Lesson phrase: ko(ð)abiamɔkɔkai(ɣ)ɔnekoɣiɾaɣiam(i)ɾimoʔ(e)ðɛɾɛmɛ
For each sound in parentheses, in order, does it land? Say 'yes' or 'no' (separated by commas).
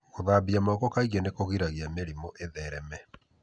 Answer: yes, yes, no, yes